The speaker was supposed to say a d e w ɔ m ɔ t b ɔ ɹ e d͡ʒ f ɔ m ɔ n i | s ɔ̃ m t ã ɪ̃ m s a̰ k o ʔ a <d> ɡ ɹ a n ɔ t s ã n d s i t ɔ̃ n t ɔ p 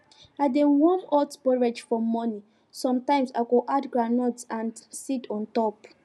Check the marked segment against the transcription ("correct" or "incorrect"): correct